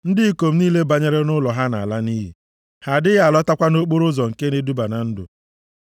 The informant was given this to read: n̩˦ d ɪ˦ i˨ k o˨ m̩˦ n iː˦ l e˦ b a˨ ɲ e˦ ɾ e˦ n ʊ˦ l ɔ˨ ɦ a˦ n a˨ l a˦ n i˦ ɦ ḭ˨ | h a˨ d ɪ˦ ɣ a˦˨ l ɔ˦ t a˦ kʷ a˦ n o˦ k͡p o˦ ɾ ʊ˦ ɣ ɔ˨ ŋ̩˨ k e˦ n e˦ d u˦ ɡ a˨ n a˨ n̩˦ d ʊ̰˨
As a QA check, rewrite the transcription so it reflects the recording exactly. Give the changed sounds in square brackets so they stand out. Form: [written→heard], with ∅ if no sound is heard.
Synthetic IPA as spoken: n̩˦ d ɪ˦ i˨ k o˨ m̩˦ n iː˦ l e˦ b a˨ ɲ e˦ ɾ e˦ n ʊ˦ l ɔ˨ ɦ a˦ n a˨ l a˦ n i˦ ɦ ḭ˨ | h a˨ d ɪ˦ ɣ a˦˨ l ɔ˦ t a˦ kʷ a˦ n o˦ k͡p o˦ ɾ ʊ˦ [ɣ→z] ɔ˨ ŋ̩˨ k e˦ n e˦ d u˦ [ɡ→b] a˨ n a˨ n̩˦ d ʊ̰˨